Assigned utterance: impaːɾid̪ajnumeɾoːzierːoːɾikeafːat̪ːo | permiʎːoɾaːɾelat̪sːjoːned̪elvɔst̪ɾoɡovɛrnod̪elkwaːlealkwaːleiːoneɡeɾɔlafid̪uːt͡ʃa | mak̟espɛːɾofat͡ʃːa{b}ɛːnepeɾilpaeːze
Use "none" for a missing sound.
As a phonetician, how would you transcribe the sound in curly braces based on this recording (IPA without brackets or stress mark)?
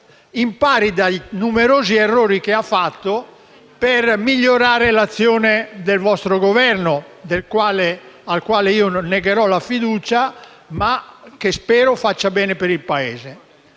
b